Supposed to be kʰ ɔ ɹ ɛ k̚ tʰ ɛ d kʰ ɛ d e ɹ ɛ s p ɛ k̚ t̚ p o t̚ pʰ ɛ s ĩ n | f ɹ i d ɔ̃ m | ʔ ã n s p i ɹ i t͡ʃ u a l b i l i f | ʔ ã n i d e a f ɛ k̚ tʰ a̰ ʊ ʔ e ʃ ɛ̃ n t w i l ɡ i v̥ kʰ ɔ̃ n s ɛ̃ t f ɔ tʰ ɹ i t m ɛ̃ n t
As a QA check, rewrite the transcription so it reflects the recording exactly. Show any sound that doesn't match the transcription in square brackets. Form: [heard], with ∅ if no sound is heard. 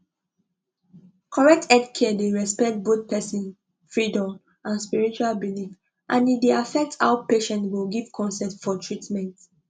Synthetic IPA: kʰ ɔ ɹ ɛ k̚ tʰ ɛ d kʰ ɛ d e ɹ ɛ s p ɛ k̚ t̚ [b] o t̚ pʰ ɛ s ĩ n | f ɹ i d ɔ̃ m | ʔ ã n s p i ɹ i t͡ʃ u a l b i l i f | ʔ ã n i d e a f ɛ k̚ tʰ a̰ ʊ [p] e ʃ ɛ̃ n t w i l ɡ i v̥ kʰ ɔ̃ n s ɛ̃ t f ɔ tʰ ɹ i t m ɛ̃ n t